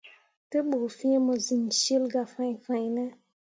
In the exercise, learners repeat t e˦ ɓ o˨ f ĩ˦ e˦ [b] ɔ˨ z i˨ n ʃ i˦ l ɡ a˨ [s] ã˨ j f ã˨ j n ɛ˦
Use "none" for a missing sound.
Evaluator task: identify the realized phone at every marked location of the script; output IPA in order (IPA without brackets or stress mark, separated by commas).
m, f